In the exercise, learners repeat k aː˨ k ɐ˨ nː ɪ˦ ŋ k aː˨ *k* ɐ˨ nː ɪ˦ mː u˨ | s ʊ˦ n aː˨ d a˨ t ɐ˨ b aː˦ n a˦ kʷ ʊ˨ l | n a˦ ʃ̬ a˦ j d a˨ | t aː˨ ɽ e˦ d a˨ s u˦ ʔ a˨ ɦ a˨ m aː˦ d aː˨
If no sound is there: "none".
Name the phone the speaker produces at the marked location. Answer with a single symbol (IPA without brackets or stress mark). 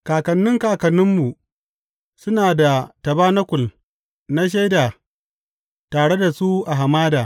k